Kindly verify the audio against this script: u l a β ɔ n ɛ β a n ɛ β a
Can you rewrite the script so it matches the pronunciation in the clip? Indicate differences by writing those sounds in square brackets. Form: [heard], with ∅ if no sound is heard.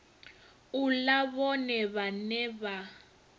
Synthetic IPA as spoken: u l a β ɔ n ɛ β a n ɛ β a